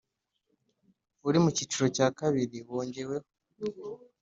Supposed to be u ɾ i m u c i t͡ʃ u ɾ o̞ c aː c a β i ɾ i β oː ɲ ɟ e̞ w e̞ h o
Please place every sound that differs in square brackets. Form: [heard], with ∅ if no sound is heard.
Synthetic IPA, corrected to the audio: u ɾ i m u c i t͡ʃ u ɾ o̞ c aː [k] a β i ɾ i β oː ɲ ɟ e̞ w e̞ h o